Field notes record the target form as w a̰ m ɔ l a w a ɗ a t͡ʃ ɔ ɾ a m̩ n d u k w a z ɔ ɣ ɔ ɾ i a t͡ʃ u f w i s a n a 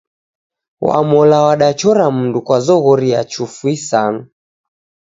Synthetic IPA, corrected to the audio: w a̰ m ɔ l a w a ɗ a t͡ʃ ɔ ɾ a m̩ n d u k w a z ɔ ɣ ɔ ɾ i a t͡ʃ u f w i s a n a